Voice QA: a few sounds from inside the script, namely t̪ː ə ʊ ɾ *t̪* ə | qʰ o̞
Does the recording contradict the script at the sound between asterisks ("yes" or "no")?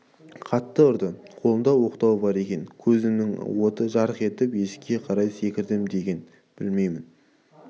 yes